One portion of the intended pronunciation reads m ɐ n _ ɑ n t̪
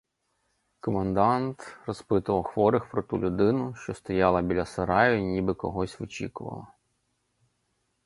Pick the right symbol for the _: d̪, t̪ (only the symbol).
d̪